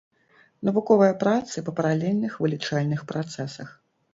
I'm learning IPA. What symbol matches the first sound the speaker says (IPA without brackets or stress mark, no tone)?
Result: n